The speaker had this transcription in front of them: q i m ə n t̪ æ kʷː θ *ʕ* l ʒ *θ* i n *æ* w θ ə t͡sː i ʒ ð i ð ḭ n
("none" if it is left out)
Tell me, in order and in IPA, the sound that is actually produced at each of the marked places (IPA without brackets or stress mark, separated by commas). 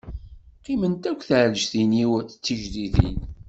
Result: ʕ, θ, i